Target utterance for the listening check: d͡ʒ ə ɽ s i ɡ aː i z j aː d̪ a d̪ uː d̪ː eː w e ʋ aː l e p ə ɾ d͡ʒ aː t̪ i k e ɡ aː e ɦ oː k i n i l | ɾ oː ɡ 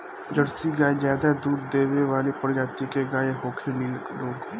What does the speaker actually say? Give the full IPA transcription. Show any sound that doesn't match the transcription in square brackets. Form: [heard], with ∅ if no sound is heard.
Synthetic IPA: d͡ʒ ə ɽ s i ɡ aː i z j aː d̪ a d̪ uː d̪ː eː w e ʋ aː l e p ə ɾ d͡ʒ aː t̪ i k e ɡ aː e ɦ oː [kʰ] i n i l | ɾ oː ɡ

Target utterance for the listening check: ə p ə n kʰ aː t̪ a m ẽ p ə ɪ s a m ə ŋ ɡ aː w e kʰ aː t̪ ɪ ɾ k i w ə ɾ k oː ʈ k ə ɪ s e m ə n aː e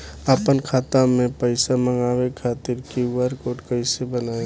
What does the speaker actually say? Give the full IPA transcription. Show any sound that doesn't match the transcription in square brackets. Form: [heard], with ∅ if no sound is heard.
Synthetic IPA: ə p ə n kʰ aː t̪ a m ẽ p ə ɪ s a m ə ŋ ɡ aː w e kʰ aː t̪ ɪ ɾ k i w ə ɾ k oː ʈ k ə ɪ s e [b] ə n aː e

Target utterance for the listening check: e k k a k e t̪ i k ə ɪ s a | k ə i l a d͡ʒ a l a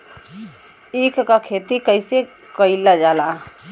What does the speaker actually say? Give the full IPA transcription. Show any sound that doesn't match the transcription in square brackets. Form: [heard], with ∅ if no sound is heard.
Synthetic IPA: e k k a [kʰ] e t̪ i k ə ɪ s [e] | k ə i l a d͡ʒ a l a

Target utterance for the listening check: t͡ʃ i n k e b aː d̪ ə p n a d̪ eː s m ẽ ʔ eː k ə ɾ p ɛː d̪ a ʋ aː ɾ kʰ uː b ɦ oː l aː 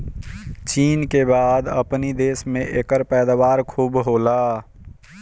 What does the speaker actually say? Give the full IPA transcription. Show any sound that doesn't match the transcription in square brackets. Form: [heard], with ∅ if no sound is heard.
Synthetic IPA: t͡ʃ [iː] n k e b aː d̪ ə p n [i] d̪ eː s m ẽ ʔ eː k ə ɾ p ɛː d̪ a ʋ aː ɾ kʰ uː b ɦ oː l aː

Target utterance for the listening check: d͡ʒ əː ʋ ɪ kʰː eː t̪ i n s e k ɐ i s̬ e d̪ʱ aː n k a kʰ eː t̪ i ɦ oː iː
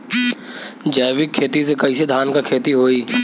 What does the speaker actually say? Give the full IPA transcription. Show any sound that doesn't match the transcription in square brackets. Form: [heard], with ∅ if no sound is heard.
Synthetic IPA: d͡ʒ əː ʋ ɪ kʰː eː t̪ i [∅] s e k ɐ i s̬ e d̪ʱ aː n k a kʰ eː t̪ i ɦ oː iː

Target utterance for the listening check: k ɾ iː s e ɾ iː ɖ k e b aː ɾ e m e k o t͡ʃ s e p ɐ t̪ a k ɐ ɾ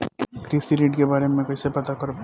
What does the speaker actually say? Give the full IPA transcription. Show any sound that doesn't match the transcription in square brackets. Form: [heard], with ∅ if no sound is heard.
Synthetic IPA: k ɾ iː s [i] ɾ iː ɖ k e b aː ɾ e m [ẽ] k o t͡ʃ s e p ɐ t̪ a k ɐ ɾ

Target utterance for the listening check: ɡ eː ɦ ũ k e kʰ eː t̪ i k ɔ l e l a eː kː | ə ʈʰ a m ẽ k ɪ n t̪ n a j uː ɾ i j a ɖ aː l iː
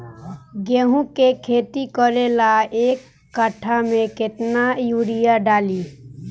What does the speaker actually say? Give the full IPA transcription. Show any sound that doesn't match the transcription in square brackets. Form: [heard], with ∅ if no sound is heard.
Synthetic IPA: ɡ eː ɦ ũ k e kʰ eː t̪ i k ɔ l e l a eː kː | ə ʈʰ a m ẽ k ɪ [∅] t̪ n a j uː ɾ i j a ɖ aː l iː

